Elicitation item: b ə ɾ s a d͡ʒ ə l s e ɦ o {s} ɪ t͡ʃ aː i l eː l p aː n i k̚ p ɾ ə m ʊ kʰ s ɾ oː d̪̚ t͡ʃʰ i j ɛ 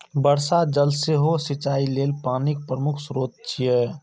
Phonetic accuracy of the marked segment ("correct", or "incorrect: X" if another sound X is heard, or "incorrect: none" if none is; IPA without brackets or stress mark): correct